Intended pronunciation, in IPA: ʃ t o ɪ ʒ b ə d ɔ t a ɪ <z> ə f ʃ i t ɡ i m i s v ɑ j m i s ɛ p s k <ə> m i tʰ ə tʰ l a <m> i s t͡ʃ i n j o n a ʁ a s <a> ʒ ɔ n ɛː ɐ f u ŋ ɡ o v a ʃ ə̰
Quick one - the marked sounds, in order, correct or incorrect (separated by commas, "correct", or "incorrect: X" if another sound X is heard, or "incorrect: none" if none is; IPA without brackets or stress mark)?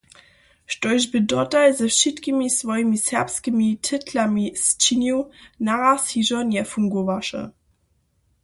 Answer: correct, correct, correct, incorrect: i